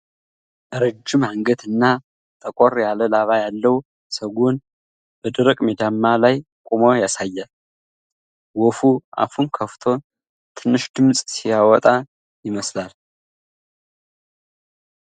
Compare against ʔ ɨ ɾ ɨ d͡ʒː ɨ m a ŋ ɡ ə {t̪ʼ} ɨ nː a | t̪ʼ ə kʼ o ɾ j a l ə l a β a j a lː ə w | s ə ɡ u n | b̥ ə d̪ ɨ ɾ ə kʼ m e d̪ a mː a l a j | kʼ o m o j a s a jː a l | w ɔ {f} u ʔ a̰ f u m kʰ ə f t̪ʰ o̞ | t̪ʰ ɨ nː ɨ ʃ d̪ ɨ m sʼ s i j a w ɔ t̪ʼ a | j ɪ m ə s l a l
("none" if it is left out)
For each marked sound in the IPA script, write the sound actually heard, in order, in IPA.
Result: t̪, f

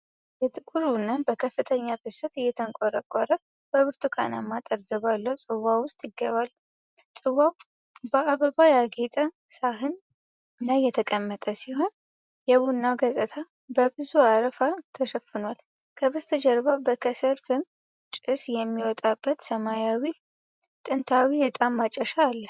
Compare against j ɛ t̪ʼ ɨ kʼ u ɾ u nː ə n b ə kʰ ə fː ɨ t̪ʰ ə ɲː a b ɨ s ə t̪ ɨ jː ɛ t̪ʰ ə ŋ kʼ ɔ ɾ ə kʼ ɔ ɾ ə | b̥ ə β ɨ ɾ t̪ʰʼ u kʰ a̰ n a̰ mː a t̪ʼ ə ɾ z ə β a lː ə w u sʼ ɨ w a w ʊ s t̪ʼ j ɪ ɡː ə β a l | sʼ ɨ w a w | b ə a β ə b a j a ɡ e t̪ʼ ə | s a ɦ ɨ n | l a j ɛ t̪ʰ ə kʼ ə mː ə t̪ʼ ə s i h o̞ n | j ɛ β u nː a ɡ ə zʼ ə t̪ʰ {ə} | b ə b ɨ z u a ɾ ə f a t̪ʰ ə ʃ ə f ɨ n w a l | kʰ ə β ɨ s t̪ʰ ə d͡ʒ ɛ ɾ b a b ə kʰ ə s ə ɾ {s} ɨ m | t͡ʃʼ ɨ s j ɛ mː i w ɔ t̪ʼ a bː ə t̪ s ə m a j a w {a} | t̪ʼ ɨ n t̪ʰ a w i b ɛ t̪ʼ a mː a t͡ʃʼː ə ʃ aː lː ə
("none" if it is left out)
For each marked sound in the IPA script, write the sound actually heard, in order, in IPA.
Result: a, f, i

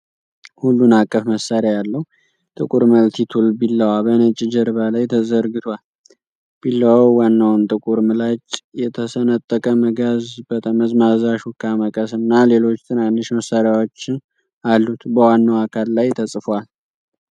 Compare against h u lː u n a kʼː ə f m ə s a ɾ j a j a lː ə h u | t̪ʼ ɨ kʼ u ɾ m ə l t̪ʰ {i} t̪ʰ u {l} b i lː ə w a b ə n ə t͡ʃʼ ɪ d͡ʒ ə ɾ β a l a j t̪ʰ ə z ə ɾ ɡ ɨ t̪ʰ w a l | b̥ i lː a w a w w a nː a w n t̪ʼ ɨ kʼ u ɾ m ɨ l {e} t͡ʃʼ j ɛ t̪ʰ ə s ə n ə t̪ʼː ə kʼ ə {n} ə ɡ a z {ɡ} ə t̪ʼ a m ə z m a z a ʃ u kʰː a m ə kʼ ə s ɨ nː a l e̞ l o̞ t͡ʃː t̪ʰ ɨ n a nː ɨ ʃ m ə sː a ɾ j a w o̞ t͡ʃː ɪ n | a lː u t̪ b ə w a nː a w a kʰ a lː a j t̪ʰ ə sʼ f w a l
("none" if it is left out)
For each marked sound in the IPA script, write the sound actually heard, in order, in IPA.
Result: i, l, a, m, b

